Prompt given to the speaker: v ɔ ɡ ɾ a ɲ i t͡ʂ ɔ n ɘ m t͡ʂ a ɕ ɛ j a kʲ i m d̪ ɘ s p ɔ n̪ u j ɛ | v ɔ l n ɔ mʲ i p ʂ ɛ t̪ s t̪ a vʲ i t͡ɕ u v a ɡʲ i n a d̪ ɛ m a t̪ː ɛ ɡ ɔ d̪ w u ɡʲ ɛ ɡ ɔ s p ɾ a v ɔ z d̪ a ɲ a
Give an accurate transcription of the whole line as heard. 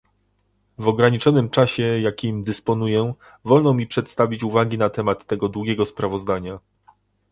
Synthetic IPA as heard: v ɔ ɡ ɾ a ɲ i t͡ʂ ɔ n ɘ m t͡ʂ a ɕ ɛ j a kʲ i m d̪ ɘ s p ɔ n̪ u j ɛ | v ɔ l n ɔ mʲ i p ʂ ɛ t̪ s t̪ a vʲ i t͡ɕ u v a ɡʲ i n a t̪ ɛ m a t̪ː ɛ ɡ ɔ d̪ w u ɡʲ ɛ ɡ ɔ s p ɾ a v ɔ z d̪ a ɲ a